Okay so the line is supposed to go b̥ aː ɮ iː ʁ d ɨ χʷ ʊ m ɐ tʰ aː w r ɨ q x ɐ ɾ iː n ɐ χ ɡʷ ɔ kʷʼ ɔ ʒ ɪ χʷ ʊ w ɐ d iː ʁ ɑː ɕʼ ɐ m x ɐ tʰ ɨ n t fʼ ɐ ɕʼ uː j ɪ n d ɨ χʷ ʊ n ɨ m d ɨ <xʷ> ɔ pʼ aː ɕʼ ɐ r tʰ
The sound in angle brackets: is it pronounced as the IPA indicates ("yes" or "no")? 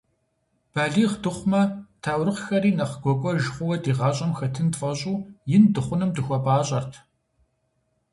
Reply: yes